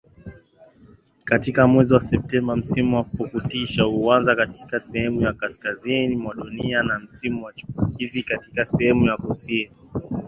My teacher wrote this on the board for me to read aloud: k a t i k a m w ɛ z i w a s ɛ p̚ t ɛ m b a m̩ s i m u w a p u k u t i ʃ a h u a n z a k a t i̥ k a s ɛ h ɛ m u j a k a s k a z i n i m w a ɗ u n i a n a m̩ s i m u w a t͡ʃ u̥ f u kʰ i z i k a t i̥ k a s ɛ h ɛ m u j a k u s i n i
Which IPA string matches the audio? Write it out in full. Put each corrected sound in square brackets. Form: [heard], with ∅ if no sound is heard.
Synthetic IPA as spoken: k a t i k a m w ɛ z i w a s ɛ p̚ t ɛ m b a m̩ s i m u w a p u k u t i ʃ a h u a n z a k a t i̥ k a s ɛ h ɛ m u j a k a s k a z i n i m w a ɗ u n i a n a m̩ s i m u w a t͡ʃ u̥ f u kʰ i z i k a t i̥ k a s ɛ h ɛ m u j a k u s i n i